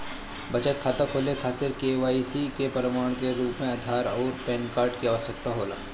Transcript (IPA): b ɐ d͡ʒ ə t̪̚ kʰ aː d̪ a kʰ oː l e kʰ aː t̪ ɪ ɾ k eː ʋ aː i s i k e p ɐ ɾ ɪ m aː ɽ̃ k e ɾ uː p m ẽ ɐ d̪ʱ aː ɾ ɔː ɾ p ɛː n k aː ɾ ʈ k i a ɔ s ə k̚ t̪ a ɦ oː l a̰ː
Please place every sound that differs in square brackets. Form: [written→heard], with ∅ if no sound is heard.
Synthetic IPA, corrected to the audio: b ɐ d͡ʒ ə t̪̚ kʰ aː [d̪→t̪] a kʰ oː l e kʰ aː t̪ ɪ ɾ k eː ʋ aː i s i k e p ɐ ɾ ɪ m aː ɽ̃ k e ɾ uː p m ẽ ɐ d̪ʱ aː ɾ ɔː ɾ p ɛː n k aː ɾ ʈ k i a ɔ s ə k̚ t̪ a ɦ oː l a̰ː